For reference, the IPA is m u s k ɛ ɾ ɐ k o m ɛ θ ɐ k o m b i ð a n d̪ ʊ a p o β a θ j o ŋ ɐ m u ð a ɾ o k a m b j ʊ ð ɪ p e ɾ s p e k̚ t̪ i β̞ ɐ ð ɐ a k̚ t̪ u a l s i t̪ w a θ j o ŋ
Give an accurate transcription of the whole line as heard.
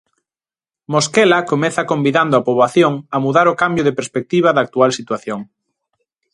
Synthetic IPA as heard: m o s k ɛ l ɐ k o m ɛ θ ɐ k o m b i ð a n d̪ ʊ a p o β a θ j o ŋ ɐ m u ð a ɾ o k a m b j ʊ ð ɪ p e ɾ s p e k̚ t̪ i β̞ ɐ ð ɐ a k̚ t̪ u a l s i t̪ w a θ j o ŋ